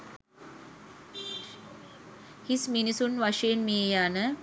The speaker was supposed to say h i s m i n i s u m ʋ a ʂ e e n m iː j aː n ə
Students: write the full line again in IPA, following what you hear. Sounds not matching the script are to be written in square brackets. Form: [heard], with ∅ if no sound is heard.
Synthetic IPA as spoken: h i s m i n i s u [n] ʋ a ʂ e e n m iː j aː n ə